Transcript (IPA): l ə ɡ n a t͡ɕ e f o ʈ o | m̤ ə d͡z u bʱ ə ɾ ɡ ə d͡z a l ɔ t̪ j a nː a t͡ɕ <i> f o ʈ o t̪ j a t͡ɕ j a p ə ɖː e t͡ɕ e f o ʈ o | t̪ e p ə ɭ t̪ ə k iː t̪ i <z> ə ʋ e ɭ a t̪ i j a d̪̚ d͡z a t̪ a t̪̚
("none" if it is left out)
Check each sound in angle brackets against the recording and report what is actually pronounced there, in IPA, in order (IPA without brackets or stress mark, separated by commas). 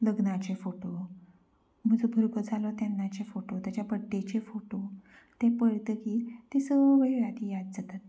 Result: e, s